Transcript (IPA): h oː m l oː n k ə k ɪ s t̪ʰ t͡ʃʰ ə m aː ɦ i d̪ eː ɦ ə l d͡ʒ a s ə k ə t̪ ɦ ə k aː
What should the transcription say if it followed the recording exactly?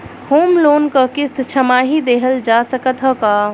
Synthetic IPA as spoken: h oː m l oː n k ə k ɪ s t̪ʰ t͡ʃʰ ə m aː ɦ i d̪ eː ɦ ə l d͡ʒ a s ə k ə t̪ ɦ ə k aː